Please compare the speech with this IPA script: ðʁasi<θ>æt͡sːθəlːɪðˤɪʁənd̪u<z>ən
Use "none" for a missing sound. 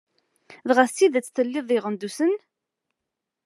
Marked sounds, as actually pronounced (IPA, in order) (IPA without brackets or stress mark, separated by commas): ð, s